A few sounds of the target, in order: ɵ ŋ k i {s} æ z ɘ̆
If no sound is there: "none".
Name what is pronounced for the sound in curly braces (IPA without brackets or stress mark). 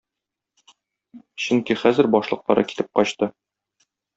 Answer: χ